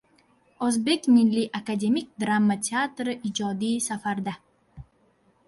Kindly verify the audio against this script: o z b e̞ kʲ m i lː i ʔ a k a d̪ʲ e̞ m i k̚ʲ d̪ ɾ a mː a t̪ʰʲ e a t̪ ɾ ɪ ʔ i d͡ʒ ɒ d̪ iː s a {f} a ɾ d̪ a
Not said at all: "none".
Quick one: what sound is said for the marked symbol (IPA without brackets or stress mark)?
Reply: f